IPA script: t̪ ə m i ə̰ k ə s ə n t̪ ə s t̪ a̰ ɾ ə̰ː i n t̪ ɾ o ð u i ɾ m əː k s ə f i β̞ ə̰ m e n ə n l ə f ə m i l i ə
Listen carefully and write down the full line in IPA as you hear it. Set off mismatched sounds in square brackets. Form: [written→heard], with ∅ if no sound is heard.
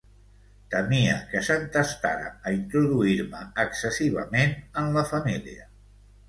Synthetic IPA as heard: t̪ ə m i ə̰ k ə s ə n t̪ ə s t̪ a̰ ɾ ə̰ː i n t̪ ɾ [o→u] ð u i ɾ m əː k s ə [f→s] i β̞ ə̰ m e n ə n l ə f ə m i l i ə